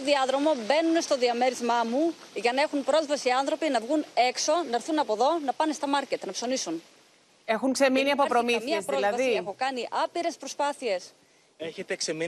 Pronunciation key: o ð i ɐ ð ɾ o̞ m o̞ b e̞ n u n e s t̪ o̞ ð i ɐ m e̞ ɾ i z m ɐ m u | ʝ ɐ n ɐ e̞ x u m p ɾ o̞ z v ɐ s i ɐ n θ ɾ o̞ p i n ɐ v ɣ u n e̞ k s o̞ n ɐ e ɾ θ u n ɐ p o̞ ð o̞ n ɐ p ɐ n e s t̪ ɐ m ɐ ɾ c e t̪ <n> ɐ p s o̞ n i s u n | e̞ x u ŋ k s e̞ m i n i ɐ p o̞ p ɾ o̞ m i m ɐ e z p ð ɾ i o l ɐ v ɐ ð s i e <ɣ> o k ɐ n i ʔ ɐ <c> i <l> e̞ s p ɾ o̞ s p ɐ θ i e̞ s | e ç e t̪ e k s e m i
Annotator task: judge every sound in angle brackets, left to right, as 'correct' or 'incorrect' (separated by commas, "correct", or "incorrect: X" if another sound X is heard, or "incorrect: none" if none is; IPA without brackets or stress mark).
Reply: correct, incorrect: x, incorrect: p, incorrect: ɾ